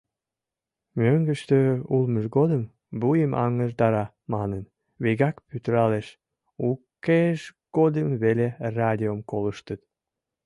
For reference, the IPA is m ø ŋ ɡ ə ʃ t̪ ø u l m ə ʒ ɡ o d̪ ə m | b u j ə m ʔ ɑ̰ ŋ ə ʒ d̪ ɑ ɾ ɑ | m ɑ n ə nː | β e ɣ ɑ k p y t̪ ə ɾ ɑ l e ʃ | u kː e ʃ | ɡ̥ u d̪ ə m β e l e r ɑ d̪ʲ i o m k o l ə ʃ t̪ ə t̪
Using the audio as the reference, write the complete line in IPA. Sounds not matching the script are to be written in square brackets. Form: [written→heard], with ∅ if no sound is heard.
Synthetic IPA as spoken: m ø ŋ ɡ ə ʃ t̪ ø u l m ə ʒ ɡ o d̪ ə m | b u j ə m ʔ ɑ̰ ŋ ə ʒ d̪ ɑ ɾ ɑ | m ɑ n ə [nː→n] | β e ɣ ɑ k p y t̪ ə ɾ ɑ l e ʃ | u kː e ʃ | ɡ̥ [u→o] d̪ ə m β e l e r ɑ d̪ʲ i o m k o l ə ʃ t̪ ə t̪